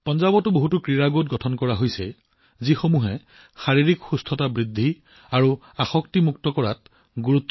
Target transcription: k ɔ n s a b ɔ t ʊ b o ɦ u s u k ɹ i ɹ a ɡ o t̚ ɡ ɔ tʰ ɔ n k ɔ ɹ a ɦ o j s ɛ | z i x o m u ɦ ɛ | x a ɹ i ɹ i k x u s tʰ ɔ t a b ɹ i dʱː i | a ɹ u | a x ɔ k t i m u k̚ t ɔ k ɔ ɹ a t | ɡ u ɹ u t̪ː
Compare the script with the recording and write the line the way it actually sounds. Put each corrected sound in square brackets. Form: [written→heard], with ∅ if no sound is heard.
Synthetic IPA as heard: [k→p] ɔ n [s→z] a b ɔ t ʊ b o ɦ u [s→t] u k ɹ i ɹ a ɡ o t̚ ɡ ɔ tʰ ɔ n k ɔ ɹ a ɦ o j s ɛ | z i x o m u ɦ ɛ | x a ɹ i ɹ i k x u s tʰ ɔ t a b ɹ i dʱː i | a ɹ u | a x ɔ k t i m u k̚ t ɔ k ɔ ɹ a t | ɡ u ɹ u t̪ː